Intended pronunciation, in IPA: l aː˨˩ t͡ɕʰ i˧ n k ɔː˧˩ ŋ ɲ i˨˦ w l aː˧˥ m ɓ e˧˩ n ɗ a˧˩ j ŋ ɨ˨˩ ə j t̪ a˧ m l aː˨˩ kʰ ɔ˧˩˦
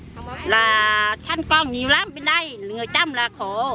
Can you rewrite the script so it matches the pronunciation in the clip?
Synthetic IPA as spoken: l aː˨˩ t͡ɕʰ a˧ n k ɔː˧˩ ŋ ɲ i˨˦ w l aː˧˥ m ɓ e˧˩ n ɗ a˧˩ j ŋ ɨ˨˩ ə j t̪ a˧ m l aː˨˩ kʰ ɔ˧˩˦